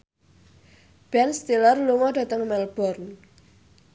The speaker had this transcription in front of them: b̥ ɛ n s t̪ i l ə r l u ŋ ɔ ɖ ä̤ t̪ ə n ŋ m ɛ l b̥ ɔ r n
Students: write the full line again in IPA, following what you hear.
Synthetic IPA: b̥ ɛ n s t̪ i l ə r l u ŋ ɔ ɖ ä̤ t̪ ə ŋ m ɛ l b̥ ɔ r n